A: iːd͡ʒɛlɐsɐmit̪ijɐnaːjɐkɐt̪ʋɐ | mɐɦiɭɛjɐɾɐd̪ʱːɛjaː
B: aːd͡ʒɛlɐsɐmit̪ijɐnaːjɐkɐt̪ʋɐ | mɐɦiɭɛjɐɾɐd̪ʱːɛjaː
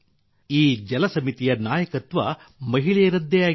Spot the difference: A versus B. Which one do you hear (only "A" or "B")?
A